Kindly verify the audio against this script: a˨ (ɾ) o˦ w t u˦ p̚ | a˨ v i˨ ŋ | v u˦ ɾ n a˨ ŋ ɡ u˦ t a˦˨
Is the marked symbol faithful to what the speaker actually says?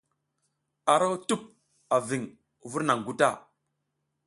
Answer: yes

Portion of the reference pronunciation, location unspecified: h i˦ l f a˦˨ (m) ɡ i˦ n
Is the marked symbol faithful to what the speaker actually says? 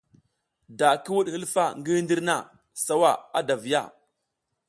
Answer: no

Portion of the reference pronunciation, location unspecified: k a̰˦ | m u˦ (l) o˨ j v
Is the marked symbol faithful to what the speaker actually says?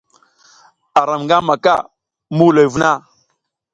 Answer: yes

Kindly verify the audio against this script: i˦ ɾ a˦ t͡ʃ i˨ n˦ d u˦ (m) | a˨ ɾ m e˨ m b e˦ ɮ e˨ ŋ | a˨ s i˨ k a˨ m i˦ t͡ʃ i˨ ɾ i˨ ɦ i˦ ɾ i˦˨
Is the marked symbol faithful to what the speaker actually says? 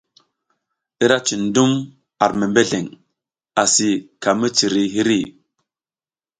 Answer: yes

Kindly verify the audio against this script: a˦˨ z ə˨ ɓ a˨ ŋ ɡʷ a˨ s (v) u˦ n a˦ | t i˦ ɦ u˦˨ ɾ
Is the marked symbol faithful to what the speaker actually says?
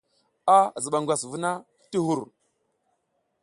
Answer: yes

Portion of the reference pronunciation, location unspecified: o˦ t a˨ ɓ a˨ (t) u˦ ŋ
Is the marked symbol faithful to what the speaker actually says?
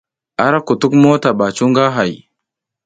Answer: no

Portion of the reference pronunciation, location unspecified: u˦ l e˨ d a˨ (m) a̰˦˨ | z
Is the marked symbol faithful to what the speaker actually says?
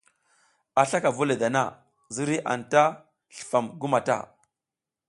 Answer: no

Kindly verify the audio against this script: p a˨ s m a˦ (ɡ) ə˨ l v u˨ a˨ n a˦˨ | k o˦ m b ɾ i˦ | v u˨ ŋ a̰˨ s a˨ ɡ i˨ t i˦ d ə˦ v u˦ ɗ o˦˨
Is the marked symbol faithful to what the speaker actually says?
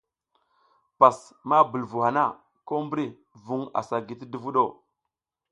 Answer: no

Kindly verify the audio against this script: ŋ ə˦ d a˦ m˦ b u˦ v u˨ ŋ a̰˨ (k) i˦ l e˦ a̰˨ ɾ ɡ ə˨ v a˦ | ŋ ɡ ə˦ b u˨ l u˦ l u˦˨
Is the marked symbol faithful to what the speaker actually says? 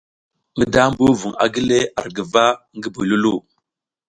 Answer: no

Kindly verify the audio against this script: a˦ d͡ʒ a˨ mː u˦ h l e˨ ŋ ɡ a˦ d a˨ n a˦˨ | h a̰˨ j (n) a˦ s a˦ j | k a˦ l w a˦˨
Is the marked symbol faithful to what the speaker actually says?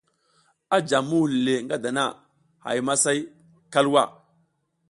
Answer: no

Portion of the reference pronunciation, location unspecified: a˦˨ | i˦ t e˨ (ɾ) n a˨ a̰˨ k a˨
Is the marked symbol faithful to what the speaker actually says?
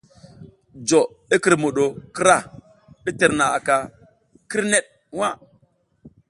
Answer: yes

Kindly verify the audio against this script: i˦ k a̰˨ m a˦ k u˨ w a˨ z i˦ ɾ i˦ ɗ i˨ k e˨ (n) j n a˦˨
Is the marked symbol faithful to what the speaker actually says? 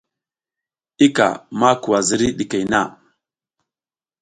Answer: no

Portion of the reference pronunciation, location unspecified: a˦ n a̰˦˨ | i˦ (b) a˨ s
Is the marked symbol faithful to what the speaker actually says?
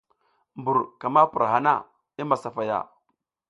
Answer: no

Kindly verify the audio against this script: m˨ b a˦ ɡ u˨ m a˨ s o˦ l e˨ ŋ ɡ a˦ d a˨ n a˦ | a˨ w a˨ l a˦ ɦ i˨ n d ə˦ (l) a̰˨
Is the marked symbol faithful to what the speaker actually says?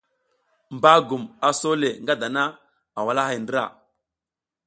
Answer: no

